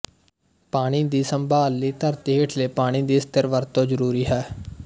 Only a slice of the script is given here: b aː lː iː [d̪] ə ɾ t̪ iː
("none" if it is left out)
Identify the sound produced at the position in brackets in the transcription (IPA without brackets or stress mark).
t̪